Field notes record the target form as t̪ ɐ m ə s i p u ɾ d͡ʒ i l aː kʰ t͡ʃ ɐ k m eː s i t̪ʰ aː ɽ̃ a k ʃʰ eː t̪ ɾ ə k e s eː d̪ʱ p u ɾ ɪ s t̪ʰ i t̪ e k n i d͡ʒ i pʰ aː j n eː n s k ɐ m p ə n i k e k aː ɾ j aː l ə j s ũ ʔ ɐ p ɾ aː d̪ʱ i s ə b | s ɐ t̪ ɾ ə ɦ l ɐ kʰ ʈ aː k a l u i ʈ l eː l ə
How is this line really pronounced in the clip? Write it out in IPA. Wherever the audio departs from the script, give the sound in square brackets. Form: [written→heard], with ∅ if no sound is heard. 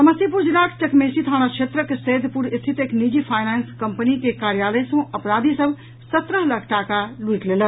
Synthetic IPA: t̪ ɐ m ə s i p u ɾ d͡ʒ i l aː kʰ t͡ʃ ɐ k m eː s i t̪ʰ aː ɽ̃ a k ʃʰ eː t̪ ɾ ə k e s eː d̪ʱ p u ɾ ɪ s t̪ʰ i t̪ e k n i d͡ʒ i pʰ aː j n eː n s k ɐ m p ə n i k e k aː ɾ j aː l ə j s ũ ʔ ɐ p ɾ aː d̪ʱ i s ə b | s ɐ t̪ ɾ ə ɦ l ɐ kʰ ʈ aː k a l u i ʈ l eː l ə